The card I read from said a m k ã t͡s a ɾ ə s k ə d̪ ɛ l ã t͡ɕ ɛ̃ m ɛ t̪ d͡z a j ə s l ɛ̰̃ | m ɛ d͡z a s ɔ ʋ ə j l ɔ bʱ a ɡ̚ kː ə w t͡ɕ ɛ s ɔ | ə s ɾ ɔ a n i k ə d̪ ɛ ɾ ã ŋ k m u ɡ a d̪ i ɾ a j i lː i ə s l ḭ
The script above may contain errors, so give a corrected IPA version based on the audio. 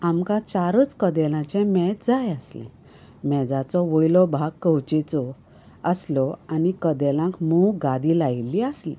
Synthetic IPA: a m k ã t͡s a ɾ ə t͡s k ə d̪ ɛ l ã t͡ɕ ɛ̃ m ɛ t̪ d͡z a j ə s l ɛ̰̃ | m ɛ d͡z a t͡s ɔ ʋ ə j l ɔ bʱ a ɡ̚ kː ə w t͡ɕ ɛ t͡s ɔ | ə s l ɔ a n i k ə d̪ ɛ l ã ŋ k m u ɡ a d̪ i l a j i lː i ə s l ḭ